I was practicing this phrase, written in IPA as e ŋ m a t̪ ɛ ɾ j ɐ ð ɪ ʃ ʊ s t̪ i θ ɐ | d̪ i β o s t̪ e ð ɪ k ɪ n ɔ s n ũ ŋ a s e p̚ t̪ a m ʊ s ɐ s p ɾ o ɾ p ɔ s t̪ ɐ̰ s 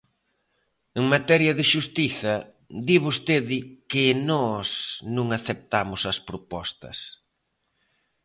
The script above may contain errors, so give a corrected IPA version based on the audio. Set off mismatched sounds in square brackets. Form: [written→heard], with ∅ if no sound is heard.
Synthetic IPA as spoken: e ŋ m a t̪ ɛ ɾ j ɐ ð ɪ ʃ [ʊ→u] s t̪ i θ ɐ | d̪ i β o s t̪ e ð ɪ k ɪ n ɔ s n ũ ŋ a [s→θ] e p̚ t̪ a m ʊ s ɐ s p ɾ o [ɾ→∅] p ɔ s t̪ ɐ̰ s